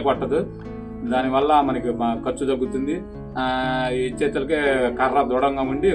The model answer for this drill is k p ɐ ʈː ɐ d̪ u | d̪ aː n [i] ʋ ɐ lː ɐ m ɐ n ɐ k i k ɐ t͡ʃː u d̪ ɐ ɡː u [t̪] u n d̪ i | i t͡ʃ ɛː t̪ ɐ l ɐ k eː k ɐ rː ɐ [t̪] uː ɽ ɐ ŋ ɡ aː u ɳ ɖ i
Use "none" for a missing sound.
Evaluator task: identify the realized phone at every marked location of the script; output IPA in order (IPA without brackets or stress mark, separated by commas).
i, t̪, d̪